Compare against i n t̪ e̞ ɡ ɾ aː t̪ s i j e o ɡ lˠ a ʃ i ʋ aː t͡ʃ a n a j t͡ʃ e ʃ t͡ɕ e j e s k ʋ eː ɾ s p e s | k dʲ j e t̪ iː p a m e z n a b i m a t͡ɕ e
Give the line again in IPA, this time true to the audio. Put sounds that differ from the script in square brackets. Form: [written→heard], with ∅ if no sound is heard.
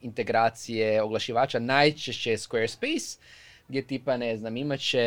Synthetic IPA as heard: i n t̪ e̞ ɡ ɾ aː t̪ s i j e o ɡ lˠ a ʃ i ʋ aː t͡ʃ a n a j t͡ʃ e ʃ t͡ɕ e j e s k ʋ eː ɾ s p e s | [k→ɡ] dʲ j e t̪ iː p a [m→n] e z n a [b→m] i m a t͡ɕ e